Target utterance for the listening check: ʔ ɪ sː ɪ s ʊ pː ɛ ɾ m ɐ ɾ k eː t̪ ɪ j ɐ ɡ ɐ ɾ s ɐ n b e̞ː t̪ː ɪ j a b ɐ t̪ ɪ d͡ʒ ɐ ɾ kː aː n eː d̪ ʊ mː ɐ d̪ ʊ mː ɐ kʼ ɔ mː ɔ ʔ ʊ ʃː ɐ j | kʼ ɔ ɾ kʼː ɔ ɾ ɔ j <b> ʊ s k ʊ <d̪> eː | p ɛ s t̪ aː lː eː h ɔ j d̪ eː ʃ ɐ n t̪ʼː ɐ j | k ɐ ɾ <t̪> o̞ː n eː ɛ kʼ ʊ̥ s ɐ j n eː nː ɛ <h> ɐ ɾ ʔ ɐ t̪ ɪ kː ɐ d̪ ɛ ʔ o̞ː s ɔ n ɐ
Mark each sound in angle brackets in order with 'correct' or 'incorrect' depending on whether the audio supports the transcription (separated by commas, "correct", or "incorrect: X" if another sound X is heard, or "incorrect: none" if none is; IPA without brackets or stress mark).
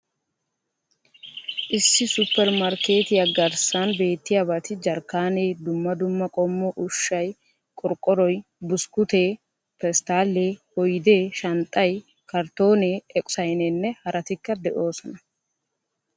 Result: correct, incorrect: t̪, correct, correct